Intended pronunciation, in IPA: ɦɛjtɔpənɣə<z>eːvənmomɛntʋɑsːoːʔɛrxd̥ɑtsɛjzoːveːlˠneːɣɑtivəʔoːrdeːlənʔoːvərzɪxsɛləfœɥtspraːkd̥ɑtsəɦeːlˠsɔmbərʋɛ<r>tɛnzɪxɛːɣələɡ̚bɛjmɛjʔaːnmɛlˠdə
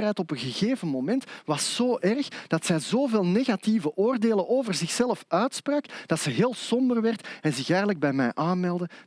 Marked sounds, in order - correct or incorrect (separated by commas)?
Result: incorrect, correct